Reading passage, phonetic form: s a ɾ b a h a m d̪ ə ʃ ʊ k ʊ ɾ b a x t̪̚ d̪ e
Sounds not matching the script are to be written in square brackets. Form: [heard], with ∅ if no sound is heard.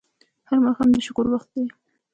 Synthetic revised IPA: [h] a ɾ [m] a [x] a m d̪ ə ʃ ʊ k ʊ ɾ [w] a x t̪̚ d̪ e